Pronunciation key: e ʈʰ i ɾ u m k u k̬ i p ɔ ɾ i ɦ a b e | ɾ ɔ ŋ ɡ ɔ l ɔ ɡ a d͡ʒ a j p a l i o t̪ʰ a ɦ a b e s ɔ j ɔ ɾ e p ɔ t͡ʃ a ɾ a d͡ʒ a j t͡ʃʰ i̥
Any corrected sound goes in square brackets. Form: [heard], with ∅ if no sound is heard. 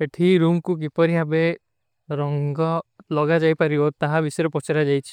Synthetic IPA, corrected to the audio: e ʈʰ i ɾ u m k u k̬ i p ɔ ɾ i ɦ a b e | ɾ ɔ ŋ ɡ ɔ l ɔ ɡ a d͡ʒ a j p a [ɾ] i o [t̪] a ɦ a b [i] s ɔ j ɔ ɾ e p ɔ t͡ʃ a ɾ a d͡ʒ a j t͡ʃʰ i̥

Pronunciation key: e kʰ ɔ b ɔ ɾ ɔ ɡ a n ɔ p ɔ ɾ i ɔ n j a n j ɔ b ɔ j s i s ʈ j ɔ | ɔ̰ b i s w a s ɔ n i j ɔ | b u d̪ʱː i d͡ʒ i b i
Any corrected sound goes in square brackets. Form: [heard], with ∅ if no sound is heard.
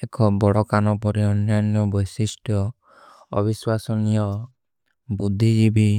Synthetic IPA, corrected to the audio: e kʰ ɔ b ɔ [ɽ] ɔ [k] a n ɔ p ɔ ɾ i ɔ n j a n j ɔ b ɔ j s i s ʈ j ɔ | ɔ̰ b i s w a s ɔ n i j ɔ | b u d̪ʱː i d͡ʒ i b i

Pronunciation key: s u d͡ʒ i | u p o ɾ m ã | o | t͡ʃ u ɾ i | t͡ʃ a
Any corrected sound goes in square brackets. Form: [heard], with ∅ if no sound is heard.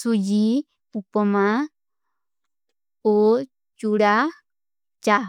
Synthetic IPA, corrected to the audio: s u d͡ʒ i | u p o [∅] m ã | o | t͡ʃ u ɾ [a] | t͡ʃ a

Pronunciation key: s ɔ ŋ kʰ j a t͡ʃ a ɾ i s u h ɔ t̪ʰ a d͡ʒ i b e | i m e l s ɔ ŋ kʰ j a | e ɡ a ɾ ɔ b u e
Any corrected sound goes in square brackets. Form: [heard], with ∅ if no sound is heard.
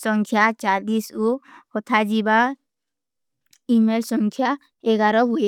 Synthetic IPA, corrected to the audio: s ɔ ŋ kʰ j a t͡ʃ a [l] i s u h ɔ t̪ʰ a d͡ʒ i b [a] | i m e l s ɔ ŋ kʰ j a | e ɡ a ɾ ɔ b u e

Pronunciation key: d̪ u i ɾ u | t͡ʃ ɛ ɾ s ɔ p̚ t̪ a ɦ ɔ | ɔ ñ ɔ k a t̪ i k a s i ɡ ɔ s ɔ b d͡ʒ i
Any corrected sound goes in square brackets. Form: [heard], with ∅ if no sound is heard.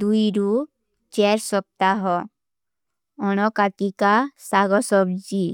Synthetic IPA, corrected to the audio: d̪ u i ɾ u | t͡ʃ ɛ ɾ s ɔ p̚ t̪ a ɦ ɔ | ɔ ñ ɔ k a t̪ i k a s [a] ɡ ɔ s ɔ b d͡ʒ i

